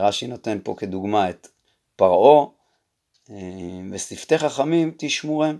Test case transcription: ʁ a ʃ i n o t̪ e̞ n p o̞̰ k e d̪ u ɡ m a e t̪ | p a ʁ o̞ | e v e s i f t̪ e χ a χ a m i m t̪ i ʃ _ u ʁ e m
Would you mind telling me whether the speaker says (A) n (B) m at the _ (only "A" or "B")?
B